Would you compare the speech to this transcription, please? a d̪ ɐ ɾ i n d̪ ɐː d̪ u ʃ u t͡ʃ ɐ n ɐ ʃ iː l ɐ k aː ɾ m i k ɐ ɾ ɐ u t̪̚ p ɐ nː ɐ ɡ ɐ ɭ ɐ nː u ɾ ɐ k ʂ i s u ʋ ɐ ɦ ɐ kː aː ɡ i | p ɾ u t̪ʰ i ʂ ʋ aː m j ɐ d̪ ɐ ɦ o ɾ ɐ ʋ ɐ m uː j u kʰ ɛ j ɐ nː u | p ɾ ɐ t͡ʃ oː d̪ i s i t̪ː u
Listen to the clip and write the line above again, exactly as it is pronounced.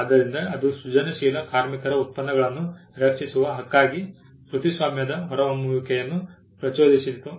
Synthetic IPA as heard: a d̪ ɐ ɾ i n d̪ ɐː d̪ u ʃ u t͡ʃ ɐ n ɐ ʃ iː l ɐ k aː ɾ m i k ɐ ɾ ɐ u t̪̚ p ɐ nː ɐ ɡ ɐ ɭ ɐ nː u ɾ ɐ k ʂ i s u ʋ ɐ ɦ ɐ kː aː ɡ i | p ɾ u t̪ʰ i s ʋ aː m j ɐ d̪ ɐ ɦ ɔ ɾ ɐ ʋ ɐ m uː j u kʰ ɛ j ɐ nː u | p ɾ ɐ t͡ʃ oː d̪ i s i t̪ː u